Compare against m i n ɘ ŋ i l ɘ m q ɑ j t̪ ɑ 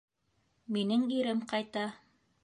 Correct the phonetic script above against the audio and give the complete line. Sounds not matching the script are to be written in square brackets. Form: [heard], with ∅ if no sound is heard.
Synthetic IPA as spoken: m i n ɘ ŋ i [ɾ] ɘ m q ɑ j t̪ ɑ